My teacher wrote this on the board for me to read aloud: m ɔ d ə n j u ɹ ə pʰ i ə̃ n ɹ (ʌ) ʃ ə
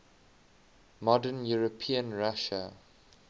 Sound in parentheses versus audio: incorrect: a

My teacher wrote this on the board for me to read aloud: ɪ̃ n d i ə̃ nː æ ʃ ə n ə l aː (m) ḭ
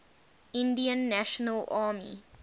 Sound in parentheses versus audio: correct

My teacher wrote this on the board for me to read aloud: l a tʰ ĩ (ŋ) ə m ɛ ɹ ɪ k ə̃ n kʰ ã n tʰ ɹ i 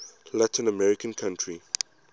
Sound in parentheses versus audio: incorrect: n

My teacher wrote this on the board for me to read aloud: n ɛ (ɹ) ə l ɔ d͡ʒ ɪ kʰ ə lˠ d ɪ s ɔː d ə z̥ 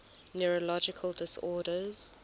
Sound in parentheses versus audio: correct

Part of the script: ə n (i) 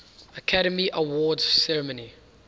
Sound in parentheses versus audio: correct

